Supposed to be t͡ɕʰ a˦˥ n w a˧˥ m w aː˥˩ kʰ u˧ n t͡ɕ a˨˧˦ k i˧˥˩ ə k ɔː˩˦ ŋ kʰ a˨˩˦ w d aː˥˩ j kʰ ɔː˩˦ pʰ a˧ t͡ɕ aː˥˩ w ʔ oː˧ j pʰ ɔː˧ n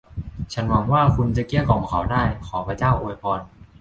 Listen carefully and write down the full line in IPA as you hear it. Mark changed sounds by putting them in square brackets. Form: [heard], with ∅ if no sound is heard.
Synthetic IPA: t͡ɕʰ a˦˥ n w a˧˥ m w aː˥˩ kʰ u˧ n t͡ɕ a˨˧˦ k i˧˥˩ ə k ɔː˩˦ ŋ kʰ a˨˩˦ w d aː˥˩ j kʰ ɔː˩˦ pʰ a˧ t͡ɕ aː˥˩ w ʔ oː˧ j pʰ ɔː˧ n